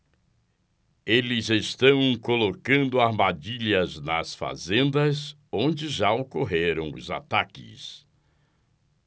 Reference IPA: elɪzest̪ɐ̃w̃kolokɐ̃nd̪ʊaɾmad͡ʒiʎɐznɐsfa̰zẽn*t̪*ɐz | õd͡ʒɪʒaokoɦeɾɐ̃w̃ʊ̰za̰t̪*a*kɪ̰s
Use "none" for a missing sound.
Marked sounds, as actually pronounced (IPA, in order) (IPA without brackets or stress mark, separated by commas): d̪, a